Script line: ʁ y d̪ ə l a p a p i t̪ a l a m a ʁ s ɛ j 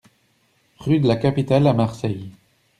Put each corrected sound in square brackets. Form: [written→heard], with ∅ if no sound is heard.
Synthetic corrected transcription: ʁ y d̪ ə l a [p→k] a p i t̪ a l a m a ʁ s ɛ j